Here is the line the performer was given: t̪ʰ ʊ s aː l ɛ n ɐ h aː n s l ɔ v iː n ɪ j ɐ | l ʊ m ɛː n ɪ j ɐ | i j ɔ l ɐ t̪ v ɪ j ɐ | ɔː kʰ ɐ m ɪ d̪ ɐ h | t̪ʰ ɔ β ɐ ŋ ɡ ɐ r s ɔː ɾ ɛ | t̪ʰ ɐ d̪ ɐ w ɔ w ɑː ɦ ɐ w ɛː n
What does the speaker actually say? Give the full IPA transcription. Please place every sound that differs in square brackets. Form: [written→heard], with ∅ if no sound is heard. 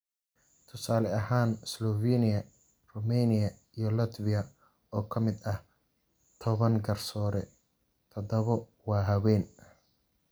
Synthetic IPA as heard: t̪ʰ ʊ s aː l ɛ [n→∅] ɐ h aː n s l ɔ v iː n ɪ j ɐ | [l→r] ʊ m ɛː n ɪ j ɐ | i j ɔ l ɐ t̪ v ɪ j ɐ | ɔː kʰ ɐ m ɪ d̪ ɐ h | t̪ʰ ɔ β ɐ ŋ ɡ ɐ r s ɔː ɾ ɛ | t̪ʰ ɐ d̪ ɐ [w→β] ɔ w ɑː ɦ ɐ w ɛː n